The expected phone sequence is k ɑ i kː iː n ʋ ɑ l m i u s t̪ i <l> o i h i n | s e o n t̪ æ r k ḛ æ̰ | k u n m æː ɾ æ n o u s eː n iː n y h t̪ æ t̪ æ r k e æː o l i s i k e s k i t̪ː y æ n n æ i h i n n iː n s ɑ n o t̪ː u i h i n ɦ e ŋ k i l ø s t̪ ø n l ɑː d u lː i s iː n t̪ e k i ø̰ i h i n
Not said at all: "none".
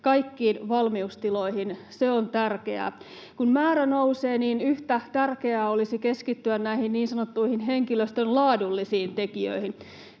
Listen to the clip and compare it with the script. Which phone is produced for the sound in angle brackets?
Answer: l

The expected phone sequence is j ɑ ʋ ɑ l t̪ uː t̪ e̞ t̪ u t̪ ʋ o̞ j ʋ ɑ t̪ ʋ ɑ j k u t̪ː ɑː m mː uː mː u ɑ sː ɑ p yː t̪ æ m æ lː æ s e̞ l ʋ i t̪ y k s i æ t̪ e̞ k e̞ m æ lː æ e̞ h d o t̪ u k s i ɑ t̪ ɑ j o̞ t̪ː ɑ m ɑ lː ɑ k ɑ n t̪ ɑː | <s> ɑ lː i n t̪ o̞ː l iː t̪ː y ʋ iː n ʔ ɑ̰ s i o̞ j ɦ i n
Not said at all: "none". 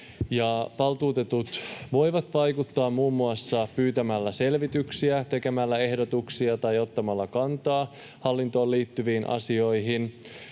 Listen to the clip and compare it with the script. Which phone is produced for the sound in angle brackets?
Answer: h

